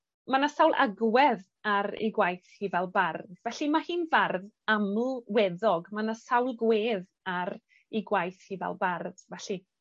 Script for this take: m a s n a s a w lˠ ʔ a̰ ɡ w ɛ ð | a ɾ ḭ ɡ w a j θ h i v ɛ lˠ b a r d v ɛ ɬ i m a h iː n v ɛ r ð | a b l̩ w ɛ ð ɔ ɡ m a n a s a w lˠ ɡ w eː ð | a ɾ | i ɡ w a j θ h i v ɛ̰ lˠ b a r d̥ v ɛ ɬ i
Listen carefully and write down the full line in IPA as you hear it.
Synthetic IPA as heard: m a n a s a w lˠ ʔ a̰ ɡ w ɛ ð | a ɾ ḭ ɡ w a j θ h i v ɛ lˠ b a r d v ɛ ɬ i m a h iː n v a r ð | a m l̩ w ɛ ð ɔ ɡ m a n a s a w lˠ ɡ w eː ð | a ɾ | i ɡ w a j θ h i v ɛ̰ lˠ b a r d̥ v ɛ ɬ i